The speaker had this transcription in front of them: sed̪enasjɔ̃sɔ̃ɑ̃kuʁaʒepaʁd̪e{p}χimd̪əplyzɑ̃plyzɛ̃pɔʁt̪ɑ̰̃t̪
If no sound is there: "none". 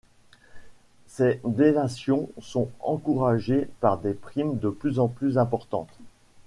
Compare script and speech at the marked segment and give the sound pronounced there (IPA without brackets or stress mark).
p